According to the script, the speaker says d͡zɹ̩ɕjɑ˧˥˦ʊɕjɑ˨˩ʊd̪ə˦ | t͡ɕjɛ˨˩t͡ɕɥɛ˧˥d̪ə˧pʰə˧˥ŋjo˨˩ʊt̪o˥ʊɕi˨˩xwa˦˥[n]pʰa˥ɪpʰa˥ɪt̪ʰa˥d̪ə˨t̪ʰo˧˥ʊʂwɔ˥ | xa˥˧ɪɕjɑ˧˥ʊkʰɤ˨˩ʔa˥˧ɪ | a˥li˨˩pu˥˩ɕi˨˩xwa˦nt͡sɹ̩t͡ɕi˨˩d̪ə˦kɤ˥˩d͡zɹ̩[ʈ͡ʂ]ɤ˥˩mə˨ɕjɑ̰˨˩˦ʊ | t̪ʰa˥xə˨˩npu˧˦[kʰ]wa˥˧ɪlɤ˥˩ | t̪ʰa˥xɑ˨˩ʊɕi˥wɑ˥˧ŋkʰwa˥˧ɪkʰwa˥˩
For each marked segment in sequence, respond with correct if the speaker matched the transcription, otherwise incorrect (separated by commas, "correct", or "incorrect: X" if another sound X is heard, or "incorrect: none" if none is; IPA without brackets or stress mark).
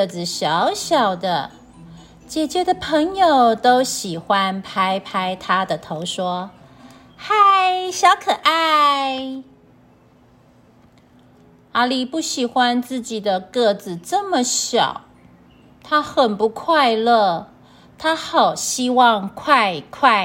correct, correct, correct